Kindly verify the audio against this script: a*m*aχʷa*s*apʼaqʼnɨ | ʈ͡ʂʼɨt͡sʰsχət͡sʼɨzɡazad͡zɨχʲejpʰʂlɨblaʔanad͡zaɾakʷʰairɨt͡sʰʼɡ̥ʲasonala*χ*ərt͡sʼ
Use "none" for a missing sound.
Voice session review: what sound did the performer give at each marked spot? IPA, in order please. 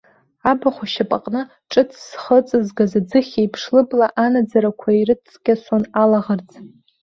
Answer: b, ʃ, ʁ

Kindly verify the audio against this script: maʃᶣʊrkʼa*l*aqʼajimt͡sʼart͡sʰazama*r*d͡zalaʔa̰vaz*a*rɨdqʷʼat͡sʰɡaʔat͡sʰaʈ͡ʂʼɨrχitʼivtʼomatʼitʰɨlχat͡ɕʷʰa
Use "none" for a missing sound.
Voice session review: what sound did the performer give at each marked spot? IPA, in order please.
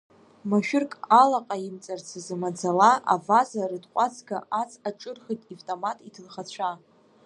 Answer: l, none, a

